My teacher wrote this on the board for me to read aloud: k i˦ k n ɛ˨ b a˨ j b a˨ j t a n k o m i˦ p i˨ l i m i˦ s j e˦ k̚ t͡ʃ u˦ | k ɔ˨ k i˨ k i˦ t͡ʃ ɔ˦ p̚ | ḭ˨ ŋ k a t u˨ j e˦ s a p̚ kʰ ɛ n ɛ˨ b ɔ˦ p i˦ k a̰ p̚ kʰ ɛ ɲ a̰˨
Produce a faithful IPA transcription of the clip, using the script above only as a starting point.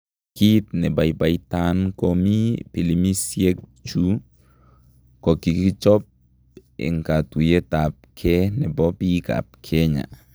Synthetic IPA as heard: k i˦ t n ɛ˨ b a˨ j b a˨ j t a n k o m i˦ p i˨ l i m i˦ s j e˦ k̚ t͡ʃ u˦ | k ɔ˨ k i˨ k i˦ t͡ʃ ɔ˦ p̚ | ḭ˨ ŋ k a t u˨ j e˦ t a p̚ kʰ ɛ n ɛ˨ b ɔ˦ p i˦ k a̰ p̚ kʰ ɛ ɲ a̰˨